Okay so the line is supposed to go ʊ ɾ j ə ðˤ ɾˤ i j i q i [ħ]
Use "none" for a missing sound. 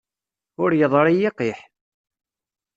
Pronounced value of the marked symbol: ħ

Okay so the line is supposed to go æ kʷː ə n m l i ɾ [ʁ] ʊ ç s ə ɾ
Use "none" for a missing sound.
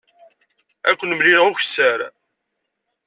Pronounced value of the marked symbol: ʁ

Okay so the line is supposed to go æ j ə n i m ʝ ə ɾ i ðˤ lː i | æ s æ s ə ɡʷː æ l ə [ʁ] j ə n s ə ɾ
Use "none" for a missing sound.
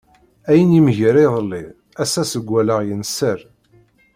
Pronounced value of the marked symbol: ʁ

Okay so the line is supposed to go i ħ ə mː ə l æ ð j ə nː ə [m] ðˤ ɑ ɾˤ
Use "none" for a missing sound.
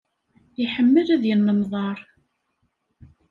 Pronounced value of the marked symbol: m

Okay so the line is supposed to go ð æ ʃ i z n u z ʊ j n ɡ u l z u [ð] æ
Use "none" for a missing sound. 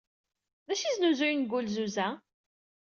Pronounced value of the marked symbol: z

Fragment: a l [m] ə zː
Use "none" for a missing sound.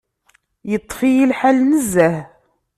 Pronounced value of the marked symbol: n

